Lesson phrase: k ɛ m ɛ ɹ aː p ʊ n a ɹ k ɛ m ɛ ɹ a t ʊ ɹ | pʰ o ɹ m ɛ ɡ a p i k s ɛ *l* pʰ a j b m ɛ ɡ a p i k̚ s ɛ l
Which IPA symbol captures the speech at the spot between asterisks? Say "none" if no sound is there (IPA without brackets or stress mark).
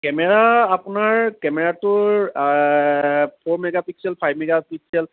l